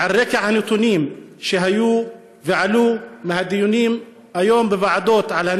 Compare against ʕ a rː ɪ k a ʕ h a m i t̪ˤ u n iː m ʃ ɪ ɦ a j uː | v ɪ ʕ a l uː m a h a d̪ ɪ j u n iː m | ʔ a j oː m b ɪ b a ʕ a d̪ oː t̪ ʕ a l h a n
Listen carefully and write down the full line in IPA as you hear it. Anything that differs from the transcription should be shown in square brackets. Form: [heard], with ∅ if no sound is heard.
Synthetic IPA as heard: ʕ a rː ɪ k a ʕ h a [n] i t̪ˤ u n iː m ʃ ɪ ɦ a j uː | v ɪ ʕ a l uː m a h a d̪ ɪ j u n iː m | ʔ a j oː m b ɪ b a ʕ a d̪ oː t̪ ʕ a l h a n